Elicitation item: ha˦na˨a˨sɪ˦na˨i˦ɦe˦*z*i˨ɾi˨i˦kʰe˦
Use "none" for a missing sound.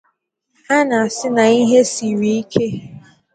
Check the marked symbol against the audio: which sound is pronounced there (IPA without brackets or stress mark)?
s